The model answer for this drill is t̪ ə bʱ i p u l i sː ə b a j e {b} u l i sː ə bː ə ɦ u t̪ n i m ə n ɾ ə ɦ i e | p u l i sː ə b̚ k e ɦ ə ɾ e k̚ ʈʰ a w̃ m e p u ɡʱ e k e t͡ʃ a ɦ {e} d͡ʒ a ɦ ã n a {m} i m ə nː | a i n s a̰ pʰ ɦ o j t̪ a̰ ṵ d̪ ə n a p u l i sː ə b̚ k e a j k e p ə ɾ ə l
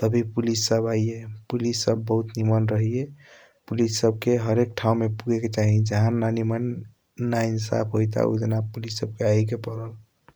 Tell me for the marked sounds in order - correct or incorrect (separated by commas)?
incorrect, incorrect, incorrect